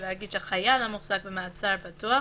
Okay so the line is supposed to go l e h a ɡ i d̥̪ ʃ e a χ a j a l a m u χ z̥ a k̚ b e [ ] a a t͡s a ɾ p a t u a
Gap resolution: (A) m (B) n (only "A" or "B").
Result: A